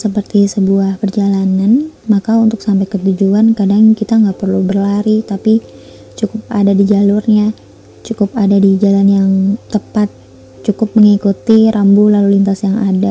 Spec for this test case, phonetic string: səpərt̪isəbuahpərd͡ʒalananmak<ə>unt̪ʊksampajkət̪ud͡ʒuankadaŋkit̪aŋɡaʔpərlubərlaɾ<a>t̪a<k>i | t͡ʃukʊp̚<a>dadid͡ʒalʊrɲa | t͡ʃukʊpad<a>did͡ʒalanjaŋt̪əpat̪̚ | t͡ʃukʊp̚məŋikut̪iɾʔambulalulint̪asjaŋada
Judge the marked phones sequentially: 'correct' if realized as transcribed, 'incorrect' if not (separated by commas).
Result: incorrect, incorrect, incorrect, correct, correct